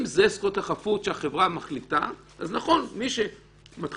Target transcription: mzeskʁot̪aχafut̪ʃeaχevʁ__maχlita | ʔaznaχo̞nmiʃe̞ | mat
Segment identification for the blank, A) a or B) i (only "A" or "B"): A